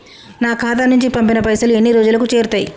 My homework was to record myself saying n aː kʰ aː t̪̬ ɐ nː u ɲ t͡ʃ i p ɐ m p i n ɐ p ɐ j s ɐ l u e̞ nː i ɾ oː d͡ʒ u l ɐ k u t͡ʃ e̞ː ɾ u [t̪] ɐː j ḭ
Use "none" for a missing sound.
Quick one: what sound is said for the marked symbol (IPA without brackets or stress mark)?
t̪